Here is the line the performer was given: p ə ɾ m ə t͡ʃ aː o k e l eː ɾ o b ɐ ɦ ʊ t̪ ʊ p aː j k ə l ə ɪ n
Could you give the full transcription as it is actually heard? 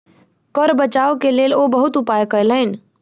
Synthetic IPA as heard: k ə ɾ b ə t͡ʃ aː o k e l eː l o b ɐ ɦ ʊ t̪ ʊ p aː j k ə l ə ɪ n